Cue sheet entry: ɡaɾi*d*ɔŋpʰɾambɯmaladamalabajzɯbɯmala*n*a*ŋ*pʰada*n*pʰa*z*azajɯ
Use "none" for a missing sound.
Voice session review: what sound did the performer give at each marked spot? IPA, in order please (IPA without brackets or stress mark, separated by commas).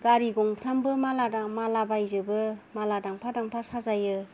ɡ, d, ŋ, ŋ, s